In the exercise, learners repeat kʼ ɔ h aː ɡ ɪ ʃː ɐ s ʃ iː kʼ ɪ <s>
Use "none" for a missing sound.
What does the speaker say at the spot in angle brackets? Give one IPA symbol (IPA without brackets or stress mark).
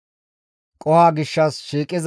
z